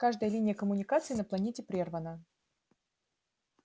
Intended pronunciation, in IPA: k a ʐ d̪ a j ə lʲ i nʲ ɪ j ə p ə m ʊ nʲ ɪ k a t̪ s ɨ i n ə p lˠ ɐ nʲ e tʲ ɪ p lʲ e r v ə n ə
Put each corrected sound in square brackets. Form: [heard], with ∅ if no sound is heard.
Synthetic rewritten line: k a ʐ d̪ [ə] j ə lʲ i nʲ ɪ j ə [k] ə m ʊ nʲ ɪ k a t̪ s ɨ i n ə p lˠ ɐ nʲ e tʲ ɪ p [ɾʲ] e r v ə n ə